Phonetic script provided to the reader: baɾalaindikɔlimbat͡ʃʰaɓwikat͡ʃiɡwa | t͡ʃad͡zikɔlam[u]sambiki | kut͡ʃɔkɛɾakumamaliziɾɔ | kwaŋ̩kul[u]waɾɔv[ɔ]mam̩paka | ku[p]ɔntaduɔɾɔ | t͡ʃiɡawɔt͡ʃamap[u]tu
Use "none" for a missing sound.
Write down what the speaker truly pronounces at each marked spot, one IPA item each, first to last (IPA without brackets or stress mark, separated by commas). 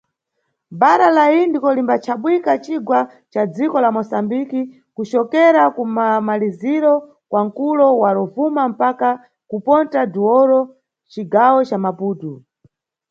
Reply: ɔ, ɔ, u, p, uː